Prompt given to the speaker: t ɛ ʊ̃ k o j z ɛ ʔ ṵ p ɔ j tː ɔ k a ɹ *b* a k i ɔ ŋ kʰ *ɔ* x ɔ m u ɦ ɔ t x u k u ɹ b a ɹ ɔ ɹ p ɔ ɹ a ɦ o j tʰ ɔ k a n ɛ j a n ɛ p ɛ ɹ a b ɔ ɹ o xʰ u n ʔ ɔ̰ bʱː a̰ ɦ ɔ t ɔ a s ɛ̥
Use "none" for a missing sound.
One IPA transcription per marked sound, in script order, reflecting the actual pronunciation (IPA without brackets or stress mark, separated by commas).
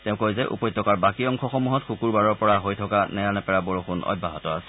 b, ɔ